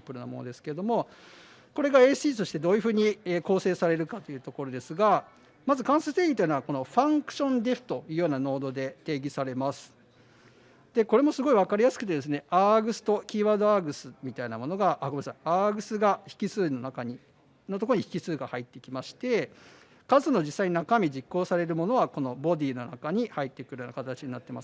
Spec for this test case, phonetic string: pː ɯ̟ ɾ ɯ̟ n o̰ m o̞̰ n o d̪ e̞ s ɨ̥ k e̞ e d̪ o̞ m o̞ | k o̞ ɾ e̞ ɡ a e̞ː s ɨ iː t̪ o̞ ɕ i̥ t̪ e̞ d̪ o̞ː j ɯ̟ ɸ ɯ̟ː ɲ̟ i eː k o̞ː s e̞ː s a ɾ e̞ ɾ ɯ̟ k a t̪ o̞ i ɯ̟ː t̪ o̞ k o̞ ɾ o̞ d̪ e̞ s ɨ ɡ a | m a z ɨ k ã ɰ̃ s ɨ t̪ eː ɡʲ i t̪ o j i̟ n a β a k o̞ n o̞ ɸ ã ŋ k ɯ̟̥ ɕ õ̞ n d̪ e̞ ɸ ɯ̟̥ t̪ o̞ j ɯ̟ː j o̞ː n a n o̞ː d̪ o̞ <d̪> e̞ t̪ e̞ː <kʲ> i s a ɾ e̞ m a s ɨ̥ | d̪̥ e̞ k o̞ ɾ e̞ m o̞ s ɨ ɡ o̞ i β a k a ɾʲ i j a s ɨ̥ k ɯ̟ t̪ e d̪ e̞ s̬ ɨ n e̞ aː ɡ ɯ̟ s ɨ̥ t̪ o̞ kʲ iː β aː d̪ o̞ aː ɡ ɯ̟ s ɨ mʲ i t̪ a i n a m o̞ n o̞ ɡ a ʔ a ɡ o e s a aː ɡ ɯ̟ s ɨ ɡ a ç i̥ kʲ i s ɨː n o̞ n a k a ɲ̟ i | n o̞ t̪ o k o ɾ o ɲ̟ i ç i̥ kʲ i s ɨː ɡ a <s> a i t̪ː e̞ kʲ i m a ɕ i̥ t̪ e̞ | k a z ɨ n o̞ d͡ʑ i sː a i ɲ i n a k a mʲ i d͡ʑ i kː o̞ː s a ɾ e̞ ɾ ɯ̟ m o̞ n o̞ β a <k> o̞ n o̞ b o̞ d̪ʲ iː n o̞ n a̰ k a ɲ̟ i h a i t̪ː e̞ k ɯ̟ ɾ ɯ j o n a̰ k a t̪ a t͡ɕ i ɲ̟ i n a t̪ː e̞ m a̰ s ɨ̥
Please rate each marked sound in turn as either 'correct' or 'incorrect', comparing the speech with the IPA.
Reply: correct, incorrect: ɡʲ, incorrect: h, correct

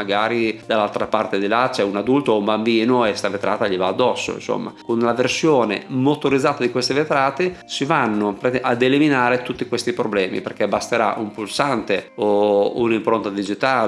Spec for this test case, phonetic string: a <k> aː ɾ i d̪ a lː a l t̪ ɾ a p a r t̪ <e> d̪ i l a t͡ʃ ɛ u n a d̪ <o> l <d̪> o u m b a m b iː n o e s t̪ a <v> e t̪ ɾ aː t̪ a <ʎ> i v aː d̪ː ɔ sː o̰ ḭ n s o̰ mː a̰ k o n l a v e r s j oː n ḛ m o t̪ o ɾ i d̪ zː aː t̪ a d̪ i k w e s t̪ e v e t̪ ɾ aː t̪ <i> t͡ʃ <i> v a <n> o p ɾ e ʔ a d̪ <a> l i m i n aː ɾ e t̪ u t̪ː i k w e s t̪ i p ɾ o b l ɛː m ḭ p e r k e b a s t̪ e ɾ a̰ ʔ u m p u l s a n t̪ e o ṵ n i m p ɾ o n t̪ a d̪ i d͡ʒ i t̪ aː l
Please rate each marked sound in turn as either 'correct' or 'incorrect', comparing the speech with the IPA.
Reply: incorrect: ɡ, correct, incorrect: u, incorrect: t̪, correct, correct, incorrect: e, correct, incorrect: nː, incorrect: e

